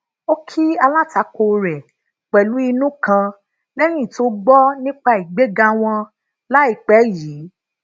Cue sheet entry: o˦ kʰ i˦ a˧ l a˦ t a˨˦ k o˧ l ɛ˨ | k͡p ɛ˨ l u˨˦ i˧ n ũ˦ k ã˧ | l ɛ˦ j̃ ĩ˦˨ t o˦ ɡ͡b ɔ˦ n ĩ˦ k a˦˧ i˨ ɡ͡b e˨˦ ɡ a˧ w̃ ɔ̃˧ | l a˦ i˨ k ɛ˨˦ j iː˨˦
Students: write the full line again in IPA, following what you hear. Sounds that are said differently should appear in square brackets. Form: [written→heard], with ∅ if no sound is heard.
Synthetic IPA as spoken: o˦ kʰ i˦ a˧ l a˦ t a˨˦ k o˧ [l→ɾ] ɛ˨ | k͡p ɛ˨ l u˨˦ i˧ n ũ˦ k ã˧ | l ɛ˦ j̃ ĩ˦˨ t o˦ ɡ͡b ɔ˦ n ĩ˦ [k→k͡p] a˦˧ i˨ ɡ͡b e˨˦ ɡ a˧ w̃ ɔ̃˧ | l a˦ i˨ [k→k͡p] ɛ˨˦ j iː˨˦